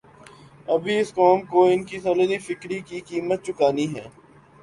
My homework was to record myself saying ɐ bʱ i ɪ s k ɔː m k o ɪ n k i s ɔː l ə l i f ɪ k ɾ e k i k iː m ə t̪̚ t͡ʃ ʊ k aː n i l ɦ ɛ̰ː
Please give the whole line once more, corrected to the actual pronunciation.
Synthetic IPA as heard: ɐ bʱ i ɪ s k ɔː m k o ɪ n k i s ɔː l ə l i f ɪ k ɾ i k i k iː m ə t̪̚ t͡ʃ ʊ k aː n i ɦ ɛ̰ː